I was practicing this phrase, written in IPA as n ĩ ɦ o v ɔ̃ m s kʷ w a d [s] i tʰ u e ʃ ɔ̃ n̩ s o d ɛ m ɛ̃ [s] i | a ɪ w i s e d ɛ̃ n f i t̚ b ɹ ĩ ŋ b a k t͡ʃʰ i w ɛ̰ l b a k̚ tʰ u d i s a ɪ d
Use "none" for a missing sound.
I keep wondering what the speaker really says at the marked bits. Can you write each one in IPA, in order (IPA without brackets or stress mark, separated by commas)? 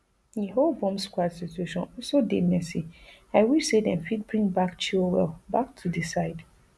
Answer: s, s